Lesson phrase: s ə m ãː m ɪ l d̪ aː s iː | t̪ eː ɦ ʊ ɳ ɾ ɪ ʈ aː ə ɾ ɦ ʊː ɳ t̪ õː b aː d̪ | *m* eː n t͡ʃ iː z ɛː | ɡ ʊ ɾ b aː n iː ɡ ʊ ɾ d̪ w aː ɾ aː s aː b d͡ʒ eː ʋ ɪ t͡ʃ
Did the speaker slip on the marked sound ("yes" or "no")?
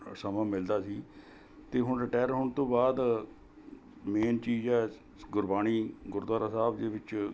no